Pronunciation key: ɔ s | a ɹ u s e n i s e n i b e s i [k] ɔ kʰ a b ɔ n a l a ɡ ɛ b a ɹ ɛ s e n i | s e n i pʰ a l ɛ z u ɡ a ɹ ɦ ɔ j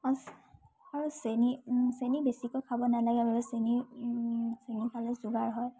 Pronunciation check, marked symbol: correct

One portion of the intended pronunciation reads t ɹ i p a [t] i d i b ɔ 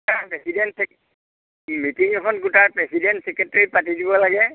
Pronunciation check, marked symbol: correct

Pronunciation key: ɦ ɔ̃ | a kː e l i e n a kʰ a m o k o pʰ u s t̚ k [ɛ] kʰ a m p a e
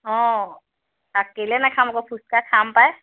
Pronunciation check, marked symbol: incorrect: a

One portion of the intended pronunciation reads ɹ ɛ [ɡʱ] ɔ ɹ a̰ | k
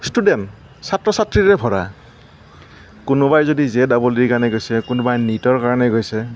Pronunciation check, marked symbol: incorrect: bʱ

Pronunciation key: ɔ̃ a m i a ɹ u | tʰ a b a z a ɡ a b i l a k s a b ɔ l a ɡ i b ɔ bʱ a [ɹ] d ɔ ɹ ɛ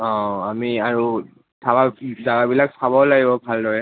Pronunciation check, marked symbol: incorrect: l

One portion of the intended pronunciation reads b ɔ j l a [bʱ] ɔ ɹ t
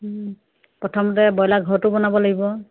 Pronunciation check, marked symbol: incorrect: ɡʱ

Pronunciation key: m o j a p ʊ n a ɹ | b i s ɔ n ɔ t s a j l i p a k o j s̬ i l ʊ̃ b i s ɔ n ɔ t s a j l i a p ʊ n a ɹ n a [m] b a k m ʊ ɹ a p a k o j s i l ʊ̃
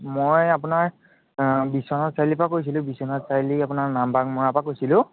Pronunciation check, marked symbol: correct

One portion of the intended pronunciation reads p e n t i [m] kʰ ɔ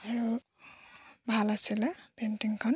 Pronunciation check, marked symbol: incorrect: ŋ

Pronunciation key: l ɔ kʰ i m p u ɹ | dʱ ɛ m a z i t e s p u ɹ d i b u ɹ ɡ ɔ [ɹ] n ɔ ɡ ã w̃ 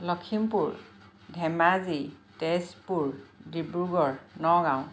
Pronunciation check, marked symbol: correct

